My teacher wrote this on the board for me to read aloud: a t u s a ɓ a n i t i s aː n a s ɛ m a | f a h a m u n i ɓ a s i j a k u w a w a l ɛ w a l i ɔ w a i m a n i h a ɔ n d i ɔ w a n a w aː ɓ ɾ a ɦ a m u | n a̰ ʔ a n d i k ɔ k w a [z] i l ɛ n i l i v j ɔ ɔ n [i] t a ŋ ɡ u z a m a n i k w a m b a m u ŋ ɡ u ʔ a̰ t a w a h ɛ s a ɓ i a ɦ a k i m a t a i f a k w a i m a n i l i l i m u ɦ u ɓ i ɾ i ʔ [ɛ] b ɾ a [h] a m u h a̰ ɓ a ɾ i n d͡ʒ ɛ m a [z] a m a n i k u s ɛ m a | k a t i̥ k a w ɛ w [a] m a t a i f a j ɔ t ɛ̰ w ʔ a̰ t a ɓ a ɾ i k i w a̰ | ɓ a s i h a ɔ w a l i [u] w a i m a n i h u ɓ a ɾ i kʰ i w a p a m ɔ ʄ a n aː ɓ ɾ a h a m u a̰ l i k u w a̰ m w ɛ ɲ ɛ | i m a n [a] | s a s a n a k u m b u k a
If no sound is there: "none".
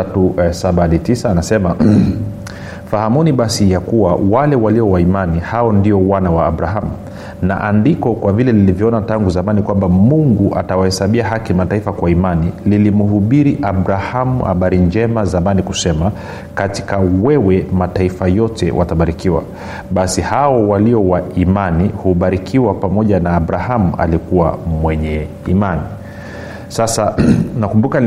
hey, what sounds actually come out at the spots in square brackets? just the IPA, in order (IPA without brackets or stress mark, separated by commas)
v, a, a, h, z, ɛ, ɔ, i